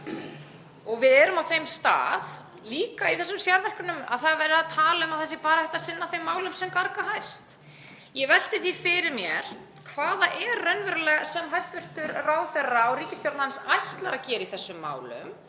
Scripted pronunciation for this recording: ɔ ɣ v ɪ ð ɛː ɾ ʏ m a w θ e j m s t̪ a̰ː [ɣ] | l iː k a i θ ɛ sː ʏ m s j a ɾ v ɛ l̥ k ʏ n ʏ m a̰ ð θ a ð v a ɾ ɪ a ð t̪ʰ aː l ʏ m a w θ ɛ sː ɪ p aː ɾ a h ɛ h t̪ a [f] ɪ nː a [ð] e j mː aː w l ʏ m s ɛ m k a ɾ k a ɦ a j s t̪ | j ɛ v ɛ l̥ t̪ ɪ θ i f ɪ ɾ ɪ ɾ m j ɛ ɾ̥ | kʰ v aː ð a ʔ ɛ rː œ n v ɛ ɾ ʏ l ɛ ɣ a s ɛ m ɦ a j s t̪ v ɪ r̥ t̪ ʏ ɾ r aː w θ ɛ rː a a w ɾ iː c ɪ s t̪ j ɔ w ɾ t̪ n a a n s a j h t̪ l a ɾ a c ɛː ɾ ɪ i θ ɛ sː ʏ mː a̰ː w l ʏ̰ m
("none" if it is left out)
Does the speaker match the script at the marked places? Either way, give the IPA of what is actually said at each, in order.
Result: ð, s, θ

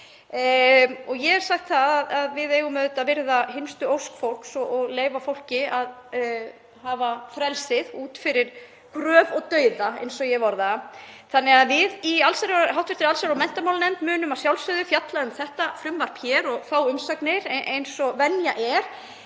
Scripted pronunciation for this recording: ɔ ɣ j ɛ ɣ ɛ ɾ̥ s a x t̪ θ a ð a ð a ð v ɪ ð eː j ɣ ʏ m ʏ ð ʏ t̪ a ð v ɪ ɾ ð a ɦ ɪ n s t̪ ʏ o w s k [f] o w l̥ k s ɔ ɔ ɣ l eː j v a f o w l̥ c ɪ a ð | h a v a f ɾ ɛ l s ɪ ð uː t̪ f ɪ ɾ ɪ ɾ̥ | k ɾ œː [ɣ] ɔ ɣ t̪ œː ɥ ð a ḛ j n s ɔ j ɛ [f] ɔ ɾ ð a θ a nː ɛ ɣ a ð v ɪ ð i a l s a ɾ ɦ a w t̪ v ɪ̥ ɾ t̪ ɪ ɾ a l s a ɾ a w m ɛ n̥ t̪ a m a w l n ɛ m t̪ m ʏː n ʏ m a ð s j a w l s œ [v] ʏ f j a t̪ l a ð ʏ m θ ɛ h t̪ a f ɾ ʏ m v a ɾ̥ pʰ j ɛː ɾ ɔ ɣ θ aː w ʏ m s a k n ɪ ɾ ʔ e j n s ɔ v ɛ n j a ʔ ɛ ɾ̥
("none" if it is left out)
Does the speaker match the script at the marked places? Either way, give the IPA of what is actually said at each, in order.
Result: f, v, v, ð

